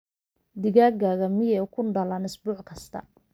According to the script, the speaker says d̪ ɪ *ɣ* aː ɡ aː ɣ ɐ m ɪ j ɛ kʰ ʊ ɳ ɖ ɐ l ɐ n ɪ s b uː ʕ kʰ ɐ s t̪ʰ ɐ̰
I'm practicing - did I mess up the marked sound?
no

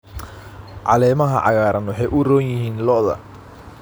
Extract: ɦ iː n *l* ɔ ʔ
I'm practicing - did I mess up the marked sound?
no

